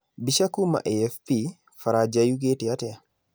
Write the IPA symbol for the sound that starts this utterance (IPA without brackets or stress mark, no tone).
b